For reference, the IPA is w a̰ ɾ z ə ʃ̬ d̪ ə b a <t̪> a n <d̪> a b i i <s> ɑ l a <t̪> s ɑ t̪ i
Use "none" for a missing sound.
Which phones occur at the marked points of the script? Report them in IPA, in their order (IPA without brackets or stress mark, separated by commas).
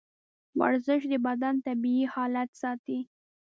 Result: d̪, t̪, h, t̪